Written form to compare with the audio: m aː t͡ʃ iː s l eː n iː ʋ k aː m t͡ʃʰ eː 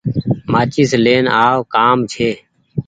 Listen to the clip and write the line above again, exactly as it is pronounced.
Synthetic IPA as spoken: m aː t͡ʃ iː s l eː n aː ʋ k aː m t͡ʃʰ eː